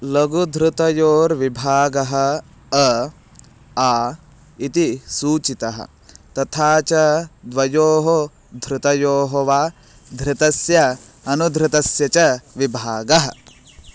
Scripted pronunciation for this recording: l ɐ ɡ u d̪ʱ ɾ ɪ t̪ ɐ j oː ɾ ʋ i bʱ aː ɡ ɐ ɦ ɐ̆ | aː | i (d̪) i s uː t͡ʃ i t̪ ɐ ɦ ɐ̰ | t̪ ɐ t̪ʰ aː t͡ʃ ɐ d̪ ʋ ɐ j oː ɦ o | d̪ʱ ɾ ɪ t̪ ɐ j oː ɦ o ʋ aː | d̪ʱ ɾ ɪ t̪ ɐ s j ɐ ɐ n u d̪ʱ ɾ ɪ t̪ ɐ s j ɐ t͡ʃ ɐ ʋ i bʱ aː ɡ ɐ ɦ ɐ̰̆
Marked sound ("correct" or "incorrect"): incorrect